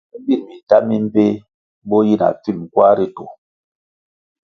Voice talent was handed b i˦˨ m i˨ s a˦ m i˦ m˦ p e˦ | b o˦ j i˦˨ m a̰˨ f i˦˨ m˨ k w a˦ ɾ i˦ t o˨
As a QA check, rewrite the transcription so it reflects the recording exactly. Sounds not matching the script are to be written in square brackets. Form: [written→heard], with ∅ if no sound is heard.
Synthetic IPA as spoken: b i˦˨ m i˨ [s→t] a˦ m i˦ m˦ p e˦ | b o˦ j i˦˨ [m→n] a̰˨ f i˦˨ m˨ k w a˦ ɾ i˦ t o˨